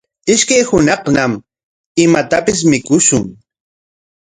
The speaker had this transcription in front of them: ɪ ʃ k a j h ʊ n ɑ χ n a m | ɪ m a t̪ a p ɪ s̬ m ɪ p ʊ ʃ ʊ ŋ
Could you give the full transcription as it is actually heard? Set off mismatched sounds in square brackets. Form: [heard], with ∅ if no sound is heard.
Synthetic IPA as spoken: ɪ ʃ k a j h ʊ n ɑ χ n a m | ɪ m a t̪ a p ɪ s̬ m ɪ [k] ʊ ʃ ʊ ŋ

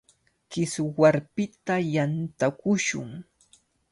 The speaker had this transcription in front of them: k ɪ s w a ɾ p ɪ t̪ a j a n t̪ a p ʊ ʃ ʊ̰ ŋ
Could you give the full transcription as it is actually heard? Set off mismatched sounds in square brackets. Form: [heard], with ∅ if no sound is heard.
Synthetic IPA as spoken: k ɪ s w a ɾ p ɪ t̪ a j a n t̪ a [k] ʊ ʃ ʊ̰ ŋ

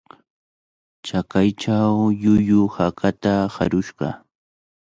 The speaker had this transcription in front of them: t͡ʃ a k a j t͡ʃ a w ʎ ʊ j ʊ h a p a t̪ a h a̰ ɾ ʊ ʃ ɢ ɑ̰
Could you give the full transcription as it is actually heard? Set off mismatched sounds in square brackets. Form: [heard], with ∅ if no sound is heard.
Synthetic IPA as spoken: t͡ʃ a k a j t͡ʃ a w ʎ ʊ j ʊ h a [k] a t̪ a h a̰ ɾ ʊ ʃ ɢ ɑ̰

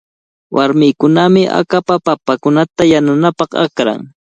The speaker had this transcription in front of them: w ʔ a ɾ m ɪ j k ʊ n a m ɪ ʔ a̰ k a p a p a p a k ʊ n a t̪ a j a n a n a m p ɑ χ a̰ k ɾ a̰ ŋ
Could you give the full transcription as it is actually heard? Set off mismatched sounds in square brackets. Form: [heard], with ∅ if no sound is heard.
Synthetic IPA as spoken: w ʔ a ɾ m ɪ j k ʊ n a m ɪ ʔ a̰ k a p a p a p a k ʊ n a t̪ a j a n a n a [∅] p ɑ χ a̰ k ɾ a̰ ŋ

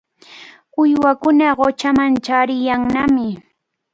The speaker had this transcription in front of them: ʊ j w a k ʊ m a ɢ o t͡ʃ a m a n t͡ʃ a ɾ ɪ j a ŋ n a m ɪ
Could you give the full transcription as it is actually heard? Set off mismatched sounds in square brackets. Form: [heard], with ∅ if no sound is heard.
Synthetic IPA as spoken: ʊ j w a k ʊ [n] a ɢ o t͡ʃ a m a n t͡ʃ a ɾ ɪ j a ŋ n a m ɪ

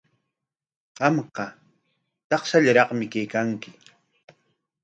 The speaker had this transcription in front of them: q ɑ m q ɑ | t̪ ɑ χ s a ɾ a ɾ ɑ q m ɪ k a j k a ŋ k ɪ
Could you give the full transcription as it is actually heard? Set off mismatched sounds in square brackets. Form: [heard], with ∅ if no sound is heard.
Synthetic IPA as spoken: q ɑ m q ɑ | t̪ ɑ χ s a [ʎ] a ɾ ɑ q m ɪ k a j k a ŋ k ɪ

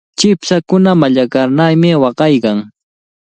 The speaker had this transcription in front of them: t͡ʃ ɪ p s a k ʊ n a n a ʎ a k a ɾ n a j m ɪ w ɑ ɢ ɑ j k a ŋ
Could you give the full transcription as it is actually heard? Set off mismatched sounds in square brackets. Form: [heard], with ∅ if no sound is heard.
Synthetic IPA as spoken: t͡ʃ ɪ p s a k ʊ n a [m] a ʎ a k a ɾ n a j m ɪ w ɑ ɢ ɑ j k a ŋ

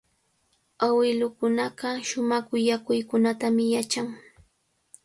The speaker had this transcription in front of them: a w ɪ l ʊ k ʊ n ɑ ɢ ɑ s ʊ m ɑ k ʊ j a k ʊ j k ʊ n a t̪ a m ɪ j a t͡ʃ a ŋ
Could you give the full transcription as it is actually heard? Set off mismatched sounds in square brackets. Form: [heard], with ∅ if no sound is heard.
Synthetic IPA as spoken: a w ɪ l ʊ k ʊ n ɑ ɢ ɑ [ʃ] ʊ m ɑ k ʊ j a k ʊ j k ʊ n a t̪ a m ɪ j a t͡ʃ a ŋ

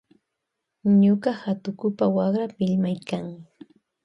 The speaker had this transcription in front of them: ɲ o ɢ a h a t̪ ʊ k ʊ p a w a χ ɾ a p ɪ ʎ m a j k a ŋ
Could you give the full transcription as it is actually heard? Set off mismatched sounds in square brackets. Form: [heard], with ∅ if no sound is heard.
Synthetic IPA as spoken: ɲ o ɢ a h a t̪ ʊ k ʊ p a w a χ ɾ a p ɪ ʎ m a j k a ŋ

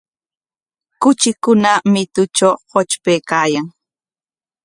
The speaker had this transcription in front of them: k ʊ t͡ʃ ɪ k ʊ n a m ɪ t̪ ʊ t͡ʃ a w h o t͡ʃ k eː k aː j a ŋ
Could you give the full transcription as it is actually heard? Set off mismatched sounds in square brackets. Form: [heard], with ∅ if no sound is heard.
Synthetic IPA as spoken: k ʊ t͡ʃ ɪ k ʊ n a m ɪ t̪ ʊ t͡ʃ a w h o t͡ʃ [p] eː k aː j a ŋ

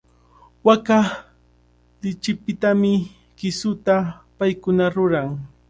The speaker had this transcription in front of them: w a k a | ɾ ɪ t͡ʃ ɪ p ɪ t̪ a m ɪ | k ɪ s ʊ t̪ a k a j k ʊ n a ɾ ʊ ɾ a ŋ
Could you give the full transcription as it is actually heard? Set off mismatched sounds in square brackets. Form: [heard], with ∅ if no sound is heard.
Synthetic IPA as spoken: w a k a | [l] ɪ t͡ʃ ɪ p ɪ t̪ a m ɪ | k ɪ s ʊ t̪ a [p] a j k ʊ n a ɾ ʊ ɾ a ŋ

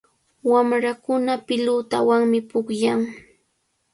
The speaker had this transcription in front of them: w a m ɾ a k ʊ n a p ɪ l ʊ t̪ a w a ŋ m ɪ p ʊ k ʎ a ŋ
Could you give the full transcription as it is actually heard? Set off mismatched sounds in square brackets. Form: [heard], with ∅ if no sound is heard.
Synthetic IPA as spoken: w a m ɾ a k ʊ n a p ɪ l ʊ t̪ a w a ŋ m ɪ p ʊ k [j] a ŋ

